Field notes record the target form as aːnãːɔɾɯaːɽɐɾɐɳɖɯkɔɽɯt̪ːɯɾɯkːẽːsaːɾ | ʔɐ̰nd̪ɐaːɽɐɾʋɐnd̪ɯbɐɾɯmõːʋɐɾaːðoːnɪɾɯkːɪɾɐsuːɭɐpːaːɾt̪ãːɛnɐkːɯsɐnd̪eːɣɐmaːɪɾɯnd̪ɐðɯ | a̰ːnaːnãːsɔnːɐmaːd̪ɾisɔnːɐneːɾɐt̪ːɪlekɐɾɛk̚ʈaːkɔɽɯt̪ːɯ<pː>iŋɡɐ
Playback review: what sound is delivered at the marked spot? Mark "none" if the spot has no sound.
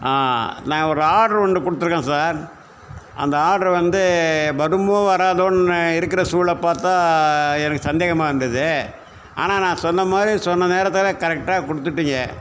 ʈː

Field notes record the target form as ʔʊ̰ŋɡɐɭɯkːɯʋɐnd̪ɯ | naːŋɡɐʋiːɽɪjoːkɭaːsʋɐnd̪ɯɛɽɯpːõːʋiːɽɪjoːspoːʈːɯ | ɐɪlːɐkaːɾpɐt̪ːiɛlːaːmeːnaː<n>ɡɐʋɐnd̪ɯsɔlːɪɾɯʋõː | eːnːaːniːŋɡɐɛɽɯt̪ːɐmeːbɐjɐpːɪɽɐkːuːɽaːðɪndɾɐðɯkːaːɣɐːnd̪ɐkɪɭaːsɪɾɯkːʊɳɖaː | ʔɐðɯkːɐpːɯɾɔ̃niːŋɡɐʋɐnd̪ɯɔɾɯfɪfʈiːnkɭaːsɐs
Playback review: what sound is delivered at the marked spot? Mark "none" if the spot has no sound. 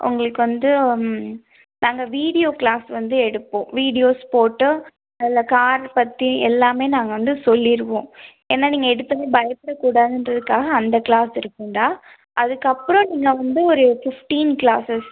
ŋ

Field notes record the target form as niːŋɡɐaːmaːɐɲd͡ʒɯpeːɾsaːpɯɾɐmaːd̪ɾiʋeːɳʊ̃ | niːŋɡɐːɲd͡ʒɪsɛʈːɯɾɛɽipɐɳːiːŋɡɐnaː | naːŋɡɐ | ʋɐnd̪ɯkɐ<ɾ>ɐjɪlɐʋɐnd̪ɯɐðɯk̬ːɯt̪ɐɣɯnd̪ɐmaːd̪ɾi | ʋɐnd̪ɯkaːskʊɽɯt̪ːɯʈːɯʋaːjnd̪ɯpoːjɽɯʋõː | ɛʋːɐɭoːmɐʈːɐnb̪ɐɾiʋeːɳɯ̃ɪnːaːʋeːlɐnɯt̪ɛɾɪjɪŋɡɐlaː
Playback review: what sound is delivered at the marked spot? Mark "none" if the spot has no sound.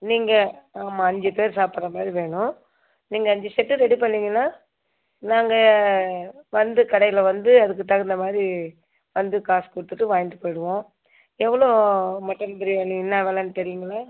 ɽ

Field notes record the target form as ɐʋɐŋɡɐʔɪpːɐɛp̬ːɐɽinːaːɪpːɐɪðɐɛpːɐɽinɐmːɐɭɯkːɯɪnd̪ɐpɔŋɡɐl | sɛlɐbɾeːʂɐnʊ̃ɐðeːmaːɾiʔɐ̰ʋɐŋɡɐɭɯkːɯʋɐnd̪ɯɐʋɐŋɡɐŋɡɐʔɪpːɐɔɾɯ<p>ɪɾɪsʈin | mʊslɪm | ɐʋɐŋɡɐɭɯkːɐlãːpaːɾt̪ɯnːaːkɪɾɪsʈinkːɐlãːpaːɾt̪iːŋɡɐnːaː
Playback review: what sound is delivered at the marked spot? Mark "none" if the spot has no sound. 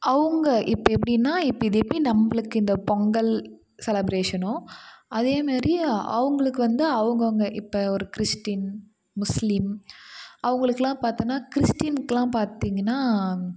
k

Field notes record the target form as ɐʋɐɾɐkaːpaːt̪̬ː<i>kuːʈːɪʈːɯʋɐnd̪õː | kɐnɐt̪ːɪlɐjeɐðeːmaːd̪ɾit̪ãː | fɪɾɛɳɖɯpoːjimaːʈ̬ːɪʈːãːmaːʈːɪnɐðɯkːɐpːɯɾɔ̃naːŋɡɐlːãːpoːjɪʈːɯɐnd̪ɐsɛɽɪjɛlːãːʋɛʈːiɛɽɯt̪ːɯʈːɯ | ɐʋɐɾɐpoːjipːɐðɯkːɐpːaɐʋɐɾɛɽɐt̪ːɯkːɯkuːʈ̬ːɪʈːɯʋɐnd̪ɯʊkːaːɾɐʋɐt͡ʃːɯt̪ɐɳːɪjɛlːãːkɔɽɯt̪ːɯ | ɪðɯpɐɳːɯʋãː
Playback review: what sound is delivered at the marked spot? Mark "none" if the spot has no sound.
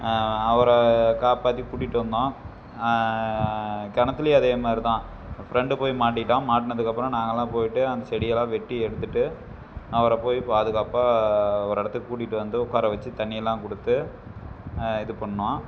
i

